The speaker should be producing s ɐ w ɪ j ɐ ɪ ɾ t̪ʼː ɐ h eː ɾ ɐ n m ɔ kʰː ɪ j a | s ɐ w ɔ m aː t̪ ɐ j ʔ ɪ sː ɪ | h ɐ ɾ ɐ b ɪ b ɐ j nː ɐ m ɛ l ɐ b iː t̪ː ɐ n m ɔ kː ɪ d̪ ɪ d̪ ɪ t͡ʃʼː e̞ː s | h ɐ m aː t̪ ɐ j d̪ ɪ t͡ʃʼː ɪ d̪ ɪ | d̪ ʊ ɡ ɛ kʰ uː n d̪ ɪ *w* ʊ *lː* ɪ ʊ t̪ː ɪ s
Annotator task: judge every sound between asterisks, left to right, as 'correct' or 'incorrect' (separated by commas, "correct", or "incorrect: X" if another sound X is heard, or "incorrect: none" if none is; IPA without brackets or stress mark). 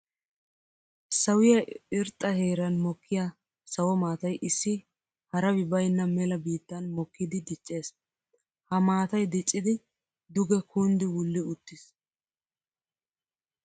correct, correct